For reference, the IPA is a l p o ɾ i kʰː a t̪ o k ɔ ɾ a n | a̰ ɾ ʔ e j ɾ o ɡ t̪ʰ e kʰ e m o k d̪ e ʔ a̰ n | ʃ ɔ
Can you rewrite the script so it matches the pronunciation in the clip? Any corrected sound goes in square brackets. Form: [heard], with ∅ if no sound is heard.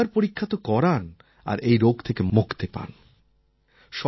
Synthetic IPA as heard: a [ɾ] p o ɾ i kʰː a t̪ o k ɔ ɾ a n | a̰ ɾ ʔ e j ɾ o ɡ t̪ʰ e [k] e m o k [t̪] e [p] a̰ n | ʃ ɔ